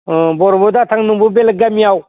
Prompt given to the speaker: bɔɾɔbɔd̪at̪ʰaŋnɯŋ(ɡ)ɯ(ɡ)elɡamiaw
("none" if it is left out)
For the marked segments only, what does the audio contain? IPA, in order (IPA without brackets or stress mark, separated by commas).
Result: b, b